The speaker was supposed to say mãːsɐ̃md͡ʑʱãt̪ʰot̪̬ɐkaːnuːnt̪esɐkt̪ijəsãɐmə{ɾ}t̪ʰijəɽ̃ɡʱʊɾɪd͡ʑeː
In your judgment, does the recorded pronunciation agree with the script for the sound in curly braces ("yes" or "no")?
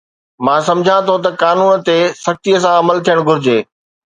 no